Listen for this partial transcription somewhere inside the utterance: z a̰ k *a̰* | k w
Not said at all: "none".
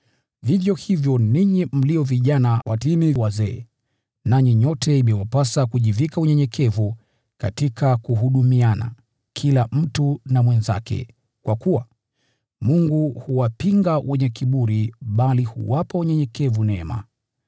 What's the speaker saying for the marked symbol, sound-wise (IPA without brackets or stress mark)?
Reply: ɛ̰